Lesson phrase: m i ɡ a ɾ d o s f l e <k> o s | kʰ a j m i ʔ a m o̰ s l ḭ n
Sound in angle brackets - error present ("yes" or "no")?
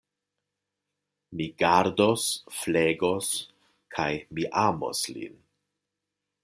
yes